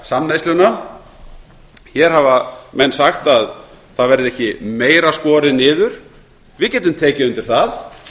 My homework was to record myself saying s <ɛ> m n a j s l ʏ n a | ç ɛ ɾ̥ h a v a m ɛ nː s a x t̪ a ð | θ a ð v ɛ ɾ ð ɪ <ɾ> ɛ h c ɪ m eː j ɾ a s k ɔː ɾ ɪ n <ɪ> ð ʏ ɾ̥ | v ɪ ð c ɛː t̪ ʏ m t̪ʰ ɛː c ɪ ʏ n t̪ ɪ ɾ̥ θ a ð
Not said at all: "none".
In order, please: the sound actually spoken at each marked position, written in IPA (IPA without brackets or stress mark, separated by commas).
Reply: a, none, ɪː